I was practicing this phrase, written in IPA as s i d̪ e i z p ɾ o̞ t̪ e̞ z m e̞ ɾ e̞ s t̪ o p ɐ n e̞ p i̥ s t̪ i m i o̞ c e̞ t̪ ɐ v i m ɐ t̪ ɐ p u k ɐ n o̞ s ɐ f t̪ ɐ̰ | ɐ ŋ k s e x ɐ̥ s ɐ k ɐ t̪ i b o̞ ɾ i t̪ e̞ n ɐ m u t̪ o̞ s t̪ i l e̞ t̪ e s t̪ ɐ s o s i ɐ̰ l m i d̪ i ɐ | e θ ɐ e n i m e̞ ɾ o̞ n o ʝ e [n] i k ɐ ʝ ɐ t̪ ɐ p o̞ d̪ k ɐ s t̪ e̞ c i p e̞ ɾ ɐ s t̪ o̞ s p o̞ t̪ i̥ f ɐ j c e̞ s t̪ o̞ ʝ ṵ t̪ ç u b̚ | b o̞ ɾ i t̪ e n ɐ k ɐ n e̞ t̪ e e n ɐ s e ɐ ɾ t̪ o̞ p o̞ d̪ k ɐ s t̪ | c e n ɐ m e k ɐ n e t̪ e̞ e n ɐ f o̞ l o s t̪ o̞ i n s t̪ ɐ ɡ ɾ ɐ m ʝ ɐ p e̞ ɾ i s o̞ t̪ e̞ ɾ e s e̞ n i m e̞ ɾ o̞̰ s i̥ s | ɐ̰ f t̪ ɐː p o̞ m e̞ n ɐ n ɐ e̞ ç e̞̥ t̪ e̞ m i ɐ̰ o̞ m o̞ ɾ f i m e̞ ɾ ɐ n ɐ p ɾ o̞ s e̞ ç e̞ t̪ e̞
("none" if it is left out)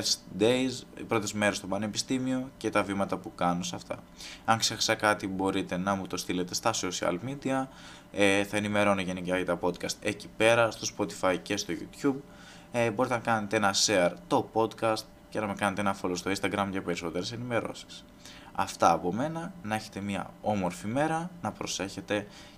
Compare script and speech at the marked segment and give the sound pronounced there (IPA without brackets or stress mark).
n